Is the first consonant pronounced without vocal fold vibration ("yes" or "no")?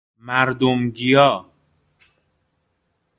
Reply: no